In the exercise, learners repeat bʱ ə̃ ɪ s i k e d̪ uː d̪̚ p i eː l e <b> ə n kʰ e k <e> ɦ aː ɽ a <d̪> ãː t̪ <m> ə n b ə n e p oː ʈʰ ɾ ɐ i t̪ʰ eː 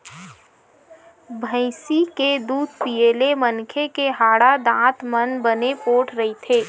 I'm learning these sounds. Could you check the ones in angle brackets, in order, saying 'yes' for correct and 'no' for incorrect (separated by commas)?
no, yes, yes, yes